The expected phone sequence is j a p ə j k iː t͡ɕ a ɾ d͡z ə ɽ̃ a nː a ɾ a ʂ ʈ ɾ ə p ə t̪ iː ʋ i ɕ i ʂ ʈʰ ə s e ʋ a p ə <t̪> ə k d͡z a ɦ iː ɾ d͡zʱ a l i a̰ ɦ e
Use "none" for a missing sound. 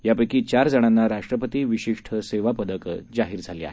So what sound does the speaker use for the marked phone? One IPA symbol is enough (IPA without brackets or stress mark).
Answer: d̪